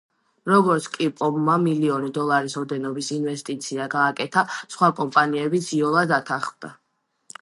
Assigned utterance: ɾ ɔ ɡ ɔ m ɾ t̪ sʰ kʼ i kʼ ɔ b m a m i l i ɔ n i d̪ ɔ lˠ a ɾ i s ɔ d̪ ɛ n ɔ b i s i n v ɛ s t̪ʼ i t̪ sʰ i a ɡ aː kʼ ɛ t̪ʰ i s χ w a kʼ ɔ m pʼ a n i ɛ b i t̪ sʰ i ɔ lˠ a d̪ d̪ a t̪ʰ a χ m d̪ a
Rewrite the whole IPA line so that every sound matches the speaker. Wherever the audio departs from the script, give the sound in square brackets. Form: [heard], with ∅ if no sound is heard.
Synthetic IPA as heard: ɾ ɔ ɡ ɔ [∅] ɾ t̪ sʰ kʼ i [pʼ] ɔ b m a m i l i ɔ n i d̪ ɔ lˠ a ɾ i s ɔ d̪ ɛ n ɔ b i s i n v ɛ s t̪ʼ i t̪ sʰ i a ɡ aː kʼ ɛ t̪ʰ [a] s χ w a kʼ ɔ m pʼ a n i ɛ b i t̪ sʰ i ɔ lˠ a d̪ d̪ a t̪ʰ a χ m d̪ a

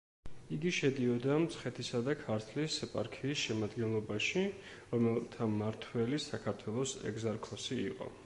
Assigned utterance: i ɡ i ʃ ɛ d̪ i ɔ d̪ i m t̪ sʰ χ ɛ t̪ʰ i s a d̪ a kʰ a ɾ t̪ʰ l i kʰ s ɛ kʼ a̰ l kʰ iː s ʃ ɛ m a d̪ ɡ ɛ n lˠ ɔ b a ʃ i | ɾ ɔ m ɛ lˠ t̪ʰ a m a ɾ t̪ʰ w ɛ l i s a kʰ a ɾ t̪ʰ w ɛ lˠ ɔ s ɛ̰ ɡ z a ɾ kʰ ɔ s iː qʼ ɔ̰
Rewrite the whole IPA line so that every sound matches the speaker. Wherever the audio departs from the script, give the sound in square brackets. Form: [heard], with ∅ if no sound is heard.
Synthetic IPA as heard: i ɡ i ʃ ɛ d̪ i ɔ d̪ [a] m t̪ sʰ χ ɛ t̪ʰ i s a d̪ a kʰ a ɾ t̪ʰ l i [∅] s ɛ [pʼ] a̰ [ɾ] kʰ iː s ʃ ɛ m a d̪ ɡ ɛ n lˠ ɔ b a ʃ i | ɾ ɔ m ɛ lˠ t̪ʰ a m a ɾ t̪ʰ w ɛ l i s a kʰ a ɾ t̪ʰ w ɛ lˠ ɔ s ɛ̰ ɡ z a ɾ kʰ ɔ s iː qʼ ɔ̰

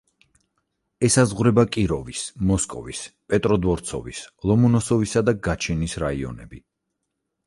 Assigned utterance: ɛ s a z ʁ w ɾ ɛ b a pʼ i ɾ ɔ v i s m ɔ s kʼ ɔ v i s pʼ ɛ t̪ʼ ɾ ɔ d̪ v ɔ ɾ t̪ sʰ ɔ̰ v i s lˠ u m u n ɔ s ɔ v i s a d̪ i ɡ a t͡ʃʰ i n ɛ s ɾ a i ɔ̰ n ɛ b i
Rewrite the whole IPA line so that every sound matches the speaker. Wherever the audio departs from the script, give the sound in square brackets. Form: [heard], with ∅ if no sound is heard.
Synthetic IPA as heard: ɛ s a z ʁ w ɾ ɛ b a [kʼ] i ɾ ɔ v i s m ɔ s kʼ ɔ v i s pʼ ɛ t̪ʼ ɾ ɔ d̪ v ɔ ɾ t̪ sʰ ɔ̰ v i s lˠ [ɔ] m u n ɔ s ɔ v i s a d̪ [a] ɡ a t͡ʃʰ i n [i] s ɾ a i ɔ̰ n ɛ b i

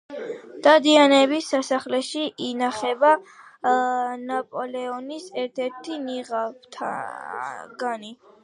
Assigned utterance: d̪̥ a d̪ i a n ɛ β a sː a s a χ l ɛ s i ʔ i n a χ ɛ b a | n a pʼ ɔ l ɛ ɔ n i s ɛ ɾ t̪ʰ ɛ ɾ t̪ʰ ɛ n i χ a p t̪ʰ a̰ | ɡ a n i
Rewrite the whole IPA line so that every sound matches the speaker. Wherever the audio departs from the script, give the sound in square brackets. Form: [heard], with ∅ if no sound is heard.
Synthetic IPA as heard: d̪̥ a d̪ i a n ɛ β [i] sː a s a χ l ɛ [ʃ] i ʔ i n a χ ɛ b a | n a pʼ ɔ l ɛ ɔ n i s ɛ ɾ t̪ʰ ɛ ɾ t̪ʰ [i] n i [ʁ] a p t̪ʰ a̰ | ɡ a n i

